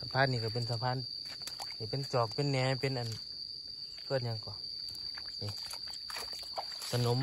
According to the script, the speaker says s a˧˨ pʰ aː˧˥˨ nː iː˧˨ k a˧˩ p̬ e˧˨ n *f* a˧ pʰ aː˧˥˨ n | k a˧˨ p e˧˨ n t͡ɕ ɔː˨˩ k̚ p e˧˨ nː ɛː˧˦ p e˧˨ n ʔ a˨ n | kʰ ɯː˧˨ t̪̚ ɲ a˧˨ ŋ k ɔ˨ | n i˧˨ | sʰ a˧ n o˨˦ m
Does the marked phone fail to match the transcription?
yes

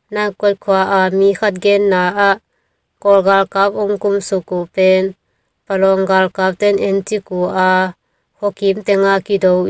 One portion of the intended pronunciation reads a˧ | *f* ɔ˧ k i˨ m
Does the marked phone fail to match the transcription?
yes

